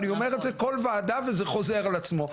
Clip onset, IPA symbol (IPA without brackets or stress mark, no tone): n